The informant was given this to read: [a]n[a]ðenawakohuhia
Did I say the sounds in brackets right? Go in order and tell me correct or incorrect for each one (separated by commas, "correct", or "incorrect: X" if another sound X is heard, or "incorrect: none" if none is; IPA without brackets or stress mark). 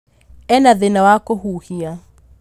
incorrect: ɛ, correct